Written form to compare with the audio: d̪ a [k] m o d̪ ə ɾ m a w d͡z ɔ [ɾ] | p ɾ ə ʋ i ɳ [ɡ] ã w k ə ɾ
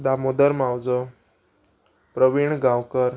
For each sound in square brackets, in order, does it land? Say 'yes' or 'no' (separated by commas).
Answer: no, no, yes